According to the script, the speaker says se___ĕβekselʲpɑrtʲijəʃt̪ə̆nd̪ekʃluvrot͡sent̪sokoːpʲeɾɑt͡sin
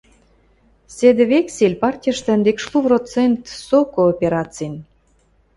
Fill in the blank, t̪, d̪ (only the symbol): d̪